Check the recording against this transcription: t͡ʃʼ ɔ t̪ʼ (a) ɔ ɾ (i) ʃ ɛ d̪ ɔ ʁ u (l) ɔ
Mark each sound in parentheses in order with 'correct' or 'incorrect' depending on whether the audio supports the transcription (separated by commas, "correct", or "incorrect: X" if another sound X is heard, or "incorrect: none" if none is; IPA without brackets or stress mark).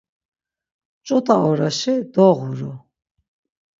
correct, incorrect: a, incorrect: ɾ